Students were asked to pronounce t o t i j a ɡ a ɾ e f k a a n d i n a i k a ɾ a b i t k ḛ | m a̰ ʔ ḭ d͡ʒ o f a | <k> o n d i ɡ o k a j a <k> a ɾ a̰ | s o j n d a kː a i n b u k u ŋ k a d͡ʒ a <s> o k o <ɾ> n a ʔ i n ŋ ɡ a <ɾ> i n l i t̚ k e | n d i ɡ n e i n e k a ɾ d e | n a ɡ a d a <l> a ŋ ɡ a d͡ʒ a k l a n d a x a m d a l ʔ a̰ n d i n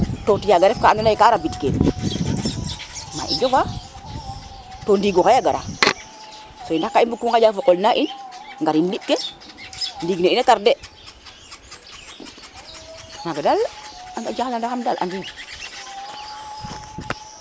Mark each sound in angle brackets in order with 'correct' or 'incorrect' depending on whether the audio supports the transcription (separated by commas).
incorrect, incorrect, incorrect, incorrect, correct, correct